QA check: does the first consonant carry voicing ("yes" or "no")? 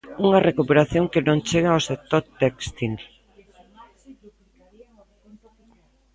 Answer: yes